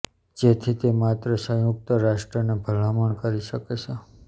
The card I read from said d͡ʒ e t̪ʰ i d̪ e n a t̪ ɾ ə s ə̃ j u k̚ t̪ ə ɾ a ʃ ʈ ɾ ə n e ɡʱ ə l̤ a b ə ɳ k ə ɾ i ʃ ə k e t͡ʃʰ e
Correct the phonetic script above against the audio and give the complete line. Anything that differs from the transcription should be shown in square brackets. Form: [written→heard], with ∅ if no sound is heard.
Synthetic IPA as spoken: d͡ʒ e t̪ʰ i [d̪→t̪] e [n→m] a t̪ ɾ ə s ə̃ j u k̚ t̪ ə ɾ a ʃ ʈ ɾ ə n e [ɡʱ→bʱ] ə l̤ a [b→m] ə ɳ k ə ɾ i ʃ ə k e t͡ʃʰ e